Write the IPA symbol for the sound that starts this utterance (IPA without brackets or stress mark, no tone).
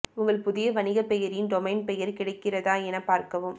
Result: ʊ